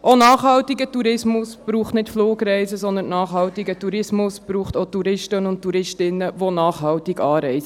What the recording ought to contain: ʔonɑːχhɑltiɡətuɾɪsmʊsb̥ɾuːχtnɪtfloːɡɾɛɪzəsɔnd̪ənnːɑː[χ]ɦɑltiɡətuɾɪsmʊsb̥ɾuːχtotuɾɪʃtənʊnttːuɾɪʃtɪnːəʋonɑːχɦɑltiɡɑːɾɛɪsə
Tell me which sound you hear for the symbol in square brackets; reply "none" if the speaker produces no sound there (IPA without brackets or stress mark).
χ